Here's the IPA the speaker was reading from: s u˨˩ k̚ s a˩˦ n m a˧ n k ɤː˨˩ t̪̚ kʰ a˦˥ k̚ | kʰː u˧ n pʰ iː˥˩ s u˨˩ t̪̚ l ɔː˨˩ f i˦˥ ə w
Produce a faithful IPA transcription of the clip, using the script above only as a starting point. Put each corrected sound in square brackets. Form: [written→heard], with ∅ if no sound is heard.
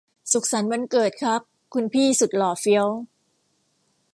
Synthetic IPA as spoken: s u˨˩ k̚ s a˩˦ n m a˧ n k ɤː˨˩ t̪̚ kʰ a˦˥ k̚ | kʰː u˧ n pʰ iː˥˩ s u˨˩ t̪̚ l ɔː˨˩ f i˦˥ ə w